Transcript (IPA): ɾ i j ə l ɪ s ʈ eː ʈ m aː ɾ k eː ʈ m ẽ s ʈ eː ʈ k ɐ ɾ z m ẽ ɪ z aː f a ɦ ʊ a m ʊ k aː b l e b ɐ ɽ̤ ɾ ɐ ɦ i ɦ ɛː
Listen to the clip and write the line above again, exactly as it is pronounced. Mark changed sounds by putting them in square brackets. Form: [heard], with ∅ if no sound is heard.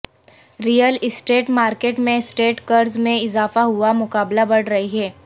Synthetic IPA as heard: ɾ i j ə l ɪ s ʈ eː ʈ m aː ɾ k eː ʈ m ẽ s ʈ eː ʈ k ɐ ɾ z m ẽ ɪ z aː f a ɦ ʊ a m ʊ k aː b l [a] b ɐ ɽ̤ ɾ ɐ ɦ i ɦ ɛː